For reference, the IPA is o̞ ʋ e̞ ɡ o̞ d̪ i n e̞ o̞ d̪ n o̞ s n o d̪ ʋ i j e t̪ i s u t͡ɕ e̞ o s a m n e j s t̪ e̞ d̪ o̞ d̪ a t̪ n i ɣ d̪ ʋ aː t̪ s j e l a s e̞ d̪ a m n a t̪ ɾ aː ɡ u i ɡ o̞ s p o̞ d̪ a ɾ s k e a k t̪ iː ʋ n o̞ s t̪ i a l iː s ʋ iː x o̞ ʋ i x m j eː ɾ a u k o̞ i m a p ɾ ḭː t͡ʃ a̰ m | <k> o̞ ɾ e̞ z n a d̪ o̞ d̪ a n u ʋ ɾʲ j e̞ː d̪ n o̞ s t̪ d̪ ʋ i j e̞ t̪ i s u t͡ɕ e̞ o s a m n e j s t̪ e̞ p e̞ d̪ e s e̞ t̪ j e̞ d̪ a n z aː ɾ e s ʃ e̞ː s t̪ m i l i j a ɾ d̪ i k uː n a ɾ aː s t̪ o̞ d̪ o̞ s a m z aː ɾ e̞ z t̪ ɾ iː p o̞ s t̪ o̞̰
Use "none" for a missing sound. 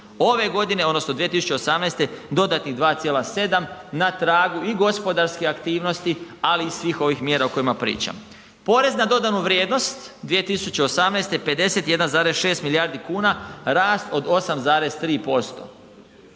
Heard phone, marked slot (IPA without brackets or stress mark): p